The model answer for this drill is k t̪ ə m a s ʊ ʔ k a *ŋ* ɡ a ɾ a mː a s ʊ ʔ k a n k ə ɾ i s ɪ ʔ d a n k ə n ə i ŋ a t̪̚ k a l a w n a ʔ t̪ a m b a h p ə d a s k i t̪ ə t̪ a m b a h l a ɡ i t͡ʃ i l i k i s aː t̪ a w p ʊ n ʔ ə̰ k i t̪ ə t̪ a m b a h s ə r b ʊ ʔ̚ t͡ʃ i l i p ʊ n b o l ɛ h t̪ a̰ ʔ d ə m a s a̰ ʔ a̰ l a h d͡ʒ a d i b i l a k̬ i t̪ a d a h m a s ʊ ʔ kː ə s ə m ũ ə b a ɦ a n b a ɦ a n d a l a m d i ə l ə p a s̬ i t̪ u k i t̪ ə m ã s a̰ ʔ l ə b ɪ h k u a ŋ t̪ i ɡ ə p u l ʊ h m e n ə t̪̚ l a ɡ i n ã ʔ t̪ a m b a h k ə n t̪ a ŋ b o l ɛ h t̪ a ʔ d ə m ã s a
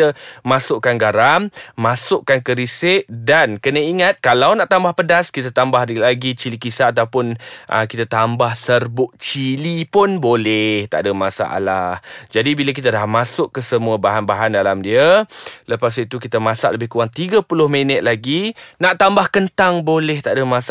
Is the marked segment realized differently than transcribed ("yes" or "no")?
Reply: yes